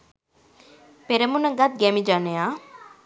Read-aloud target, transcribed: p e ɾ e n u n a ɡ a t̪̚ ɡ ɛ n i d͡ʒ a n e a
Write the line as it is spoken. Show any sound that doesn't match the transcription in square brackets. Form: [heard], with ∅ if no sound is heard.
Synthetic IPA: p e ɾ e [m] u n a ɡ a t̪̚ ɡ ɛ [m] i d͡ʒ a n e a